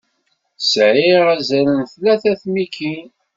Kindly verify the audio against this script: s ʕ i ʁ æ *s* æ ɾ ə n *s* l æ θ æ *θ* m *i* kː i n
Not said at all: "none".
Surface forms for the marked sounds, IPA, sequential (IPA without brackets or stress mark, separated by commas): z, θ, θ, i